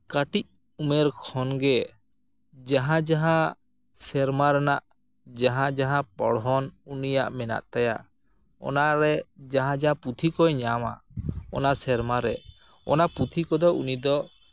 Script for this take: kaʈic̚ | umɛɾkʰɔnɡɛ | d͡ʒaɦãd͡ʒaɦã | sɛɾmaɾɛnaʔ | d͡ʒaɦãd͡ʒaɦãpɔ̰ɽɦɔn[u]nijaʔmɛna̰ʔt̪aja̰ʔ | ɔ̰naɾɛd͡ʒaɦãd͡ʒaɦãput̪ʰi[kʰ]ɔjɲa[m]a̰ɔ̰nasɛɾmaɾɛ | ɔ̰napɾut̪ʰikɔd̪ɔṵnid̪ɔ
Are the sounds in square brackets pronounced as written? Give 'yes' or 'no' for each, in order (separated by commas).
yes, no, yes